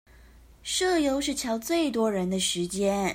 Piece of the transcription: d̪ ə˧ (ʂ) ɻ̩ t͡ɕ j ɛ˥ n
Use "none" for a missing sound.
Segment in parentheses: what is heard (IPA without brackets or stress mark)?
ʂ